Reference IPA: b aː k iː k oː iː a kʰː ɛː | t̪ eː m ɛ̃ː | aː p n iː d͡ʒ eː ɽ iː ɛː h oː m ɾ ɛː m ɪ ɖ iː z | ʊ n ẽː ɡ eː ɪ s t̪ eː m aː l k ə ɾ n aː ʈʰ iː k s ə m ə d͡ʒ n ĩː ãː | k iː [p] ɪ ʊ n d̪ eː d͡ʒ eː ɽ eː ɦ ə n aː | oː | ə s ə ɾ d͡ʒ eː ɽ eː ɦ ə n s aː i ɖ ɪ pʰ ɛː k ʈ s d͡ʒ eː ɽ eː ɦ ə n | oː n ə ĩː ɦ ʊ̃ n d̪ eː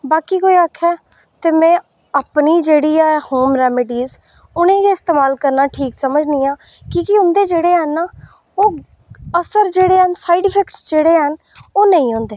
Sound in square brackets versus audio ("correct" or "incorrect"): incorrect